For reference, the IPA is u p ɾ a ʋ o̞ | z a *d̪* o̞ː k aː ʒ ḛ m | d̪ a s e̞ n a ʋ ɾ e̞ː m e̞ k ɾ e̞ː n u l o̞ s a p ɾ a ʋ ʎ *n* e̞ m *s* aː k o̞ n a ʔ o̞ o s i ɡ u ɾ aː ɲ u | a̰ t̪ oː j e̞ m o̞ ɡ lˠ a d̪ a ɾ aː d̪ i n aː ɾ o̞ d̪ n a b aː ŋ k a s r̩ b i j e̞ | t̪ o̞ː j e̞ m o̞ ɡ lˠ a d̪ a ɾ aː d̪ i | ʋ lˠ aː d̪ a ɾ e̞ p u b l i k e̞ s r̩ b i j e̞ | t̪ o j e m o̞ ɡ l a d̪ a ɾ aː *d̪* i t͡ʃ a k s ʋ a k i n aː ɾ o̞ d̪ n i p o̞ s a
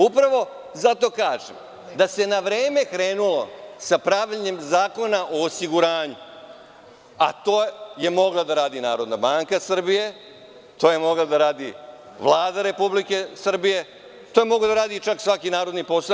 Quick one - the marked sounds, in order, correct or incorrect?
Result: incorrect: t̪, incorrect: ɲ, incorrect: z, correct

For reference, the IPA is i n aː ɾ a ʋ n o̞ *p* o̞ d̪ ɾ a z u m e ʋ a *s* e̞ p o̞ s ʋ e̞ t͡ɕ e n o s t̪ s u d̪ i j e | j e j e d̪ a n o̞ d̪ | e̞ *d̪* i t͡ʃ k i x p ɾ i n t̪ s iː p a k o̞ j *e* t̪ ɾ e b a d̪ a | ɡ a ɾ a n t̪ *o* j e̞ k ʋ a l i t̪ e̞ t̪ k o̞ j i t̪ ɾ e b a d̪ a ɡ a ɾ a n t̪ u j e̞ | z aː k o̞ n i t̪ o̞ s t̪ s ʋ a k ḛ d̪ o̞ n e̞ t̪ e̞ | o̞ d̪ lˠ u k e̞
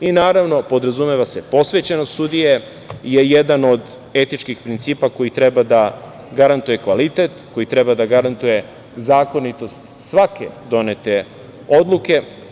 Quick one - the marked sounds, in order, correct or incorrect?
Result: correct, correct, incorrect: t̪, incorrect: i, incorrect: u

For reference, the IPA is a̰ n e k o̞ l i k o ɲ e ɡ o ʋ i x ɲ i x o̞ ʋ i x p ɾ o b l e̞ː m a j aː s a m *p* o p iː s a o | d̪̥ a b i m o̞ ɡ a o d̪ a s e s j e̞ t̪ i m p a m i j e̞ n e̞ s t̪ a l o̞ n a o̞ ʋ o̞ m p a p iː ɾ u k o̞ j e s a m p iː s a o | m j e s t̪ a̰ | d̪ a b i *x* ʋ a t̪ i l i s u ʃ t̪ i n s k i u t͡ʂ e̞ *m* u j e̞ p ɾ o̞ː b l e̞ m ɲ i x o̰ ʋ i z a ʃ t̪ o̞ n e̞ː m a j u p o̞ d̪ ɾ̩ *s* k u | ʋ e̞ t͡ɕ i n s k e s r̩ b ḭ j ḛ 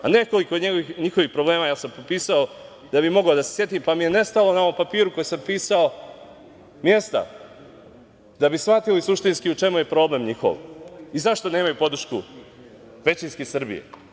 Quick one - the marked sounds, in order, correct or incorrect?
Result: correct, incorrect: s, correct, incorrect: ʃ

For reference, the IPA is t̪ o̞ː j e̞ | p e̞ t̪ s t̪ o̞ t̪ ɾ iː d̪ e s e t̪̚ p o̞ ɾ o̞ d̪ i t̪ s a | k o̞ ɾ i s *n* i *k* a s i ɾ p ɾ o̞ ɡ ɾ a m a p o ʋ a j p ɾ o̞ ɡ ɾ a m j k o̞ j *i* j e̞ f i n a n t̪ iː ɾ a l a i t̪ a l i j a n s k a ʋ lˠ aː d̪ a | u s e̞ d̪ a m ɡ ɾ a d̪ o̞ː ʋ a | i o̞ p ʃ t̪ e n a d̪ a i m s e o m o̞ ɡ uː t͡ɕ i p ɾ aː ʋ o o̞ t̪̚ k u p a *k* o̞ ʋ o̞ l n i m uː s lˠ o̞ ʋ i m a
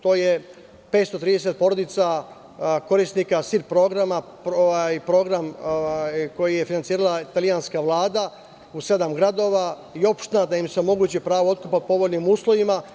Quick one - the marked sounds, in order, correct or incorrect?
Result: correct, correct, correct, incorrect: p

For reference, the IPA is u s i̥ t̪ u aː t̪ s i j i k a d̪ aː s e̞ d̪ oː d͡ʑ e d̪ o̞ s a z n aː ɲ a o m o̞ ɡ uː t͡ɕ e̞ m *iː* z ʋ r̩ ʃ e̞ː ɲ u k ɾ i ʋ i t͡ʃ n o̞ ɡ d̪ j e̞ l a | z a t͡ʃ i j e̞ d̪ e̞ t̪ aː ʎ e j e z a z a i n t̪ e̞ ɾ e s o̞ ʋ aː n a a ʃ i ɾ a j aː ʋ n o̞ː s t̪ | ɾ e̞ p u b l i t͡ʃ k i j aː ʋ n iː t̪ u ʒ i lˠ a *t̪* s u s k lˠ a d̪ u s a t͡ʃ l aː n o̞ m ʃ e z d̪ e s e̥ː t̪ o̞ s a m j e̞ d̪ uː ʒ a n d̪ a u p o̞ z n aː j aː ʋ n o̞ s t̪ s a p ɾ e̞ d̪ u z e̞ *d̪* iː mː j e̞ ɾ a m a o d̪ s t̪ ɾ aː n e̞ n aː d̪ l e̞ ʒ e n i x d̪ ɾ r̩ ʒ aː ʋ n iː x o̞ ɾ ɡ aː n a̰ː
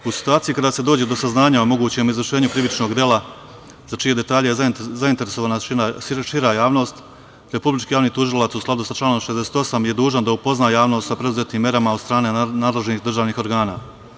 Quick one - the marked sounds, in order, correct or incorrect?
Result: incorrect: i, correct, incorrect: t̪

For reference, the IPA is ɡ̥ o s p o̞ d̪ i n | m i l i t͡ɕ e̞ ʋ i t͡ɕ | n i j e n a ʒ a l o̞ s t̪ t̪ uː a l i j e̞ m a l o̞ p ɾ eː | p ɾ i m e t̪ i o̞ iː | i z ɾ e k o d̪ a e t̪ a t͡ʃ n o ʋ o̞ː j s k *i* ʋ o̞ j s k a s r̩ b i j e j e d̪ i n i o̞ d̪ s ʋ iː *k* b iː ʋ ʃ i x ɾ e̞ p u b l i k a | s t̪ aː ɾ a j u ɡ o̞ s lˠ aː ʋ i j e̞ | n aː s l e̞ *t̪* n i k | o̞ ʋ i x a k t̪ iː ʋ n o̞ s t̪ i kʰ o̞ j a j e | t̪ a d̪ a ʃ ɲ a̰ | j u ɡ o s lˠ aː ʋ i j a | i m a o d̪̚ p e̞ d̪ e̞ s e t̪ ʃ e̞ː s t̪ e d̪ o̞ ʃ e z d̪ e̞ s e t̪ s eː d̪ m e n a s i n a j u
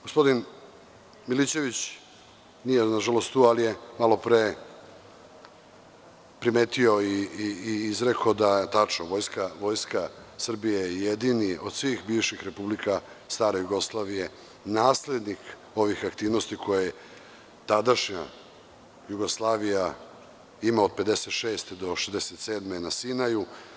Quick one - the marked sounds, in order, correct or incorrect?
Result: incorrect: a, incorrect: x, incorrect: d̪

